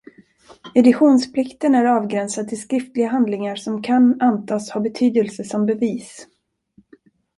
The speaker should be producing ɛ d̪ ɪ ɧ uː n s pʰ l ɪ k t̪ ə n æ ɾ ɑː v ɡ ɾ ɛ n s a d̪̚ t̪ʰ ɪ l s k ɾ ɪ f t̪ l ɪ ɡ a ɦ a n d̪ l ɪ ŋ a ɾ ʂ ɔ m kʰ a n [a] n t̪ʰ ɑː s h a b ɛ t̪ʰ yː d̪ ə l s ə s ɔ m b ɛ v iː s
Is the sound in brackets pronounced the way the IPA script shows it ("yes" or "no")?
yes